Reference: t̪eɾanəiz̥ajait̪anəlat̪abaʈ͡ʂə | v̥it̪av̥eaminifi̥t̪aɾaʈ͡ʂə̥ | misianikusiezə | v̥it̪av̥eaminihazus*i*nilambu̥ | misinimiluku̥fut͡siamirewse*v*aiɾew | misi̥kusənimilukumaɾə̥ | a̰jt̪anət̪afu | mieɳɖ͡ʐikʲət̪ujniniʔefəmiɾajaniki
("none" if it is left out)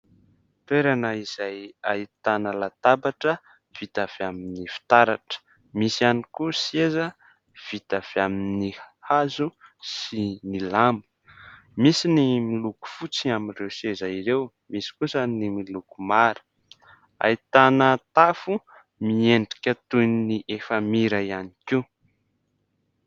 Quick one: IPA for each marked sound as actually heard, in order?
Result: i, z

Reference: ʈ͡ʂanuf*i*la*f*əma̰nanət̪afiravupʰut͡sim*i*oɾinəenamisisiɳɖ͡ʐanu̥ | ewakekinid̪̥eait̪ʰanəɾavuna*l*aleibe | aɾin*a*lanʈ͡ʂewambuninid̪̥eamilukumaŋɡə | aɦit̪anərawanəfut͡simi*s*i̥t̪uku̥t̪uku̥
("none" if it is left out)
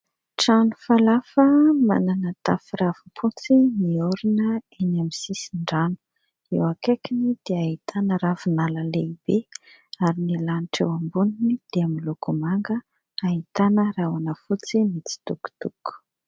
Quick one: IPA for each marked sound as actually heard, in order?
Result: a, f, i, l, i, t͡s

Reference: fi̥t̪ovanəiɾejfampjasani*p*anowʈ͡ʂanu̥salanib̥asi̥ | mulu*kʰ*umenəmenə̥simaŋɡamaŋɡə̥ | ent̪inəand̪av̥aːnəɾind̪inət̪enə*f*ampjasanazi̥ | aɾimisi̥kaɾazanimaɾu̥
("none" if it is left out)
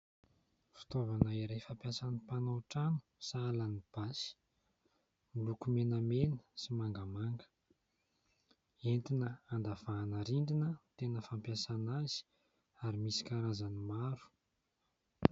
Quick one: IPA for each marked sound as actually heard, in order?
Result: p, k, f

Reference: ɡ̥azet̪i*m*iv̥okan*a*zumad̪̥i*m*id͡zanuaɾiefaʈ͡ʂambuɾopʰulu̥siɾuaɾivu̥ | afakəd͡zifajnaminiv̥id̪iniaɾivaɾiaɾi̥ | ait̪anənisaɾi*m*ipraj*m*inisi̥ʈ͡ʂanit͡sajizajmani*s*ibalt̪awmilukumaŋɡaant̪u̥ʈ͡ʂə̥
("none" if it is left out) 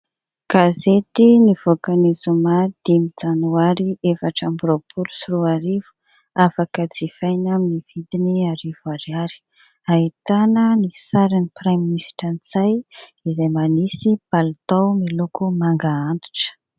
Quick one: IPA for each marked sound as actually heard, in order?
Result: n, i, m, n, m, s

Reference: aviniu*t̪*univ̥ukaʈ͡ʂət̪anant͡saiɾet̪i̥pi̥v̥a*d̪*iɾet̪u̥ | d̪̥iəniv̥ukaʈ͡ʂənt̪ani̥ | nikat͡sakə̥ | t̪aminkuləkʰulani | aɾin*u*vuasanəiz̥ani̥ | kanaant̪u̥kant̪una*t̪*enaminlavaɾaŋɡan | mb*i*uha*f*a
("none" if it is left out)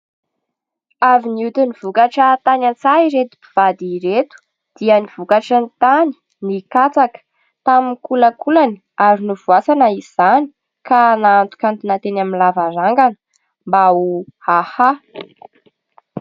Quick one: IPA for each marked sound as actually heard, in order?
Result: t̪, d̪, u, t̪, a, h

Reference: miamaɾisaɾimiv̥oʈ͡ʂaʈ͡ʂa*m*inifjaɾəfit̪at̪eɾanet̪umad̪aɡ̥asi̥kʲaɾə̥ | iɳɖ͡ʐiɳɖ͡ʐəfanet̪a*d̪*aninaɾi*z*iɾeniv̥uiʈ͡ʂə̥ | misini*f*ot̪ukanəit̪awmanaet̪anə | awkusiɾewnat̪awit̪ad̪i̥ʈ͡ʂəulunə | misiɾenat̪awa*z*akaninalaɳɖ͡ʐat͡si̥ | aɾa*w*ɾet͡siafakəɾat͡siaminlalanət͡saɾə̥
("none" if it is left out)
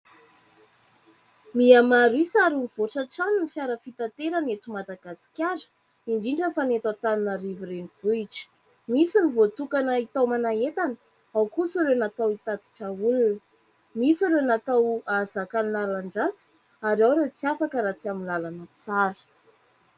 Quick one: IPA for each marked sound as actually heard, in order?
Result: n, t̪, v, v, z, w

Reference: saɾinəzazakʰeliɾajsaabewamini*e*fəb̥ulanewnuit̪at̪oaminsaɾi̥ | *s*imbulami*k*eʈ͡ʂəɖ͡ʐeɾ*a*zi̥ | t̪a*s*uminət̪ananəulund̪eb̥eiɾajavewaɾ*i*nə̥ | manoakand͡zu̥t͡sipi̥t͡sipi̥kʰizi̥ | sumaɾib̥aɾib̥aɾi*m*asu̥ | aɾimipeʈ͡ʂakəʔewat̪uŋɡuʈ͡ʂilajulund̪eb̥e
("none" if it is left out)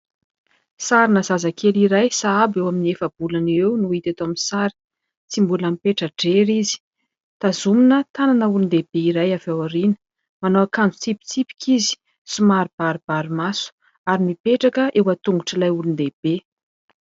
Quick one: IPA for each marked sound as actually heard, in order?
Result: e, t͡s, p, i, z, i, m

